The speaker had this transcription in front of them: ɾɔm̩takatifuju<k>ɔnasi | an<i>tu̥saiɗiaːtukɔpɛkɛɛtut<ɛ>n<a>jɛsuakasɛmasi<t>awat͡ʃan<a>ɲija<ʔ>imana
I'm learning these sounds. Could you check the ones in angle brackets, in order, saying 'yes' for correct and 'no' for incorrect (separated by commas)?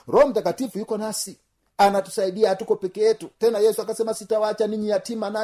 yes, no, yes, yes, yes, no, no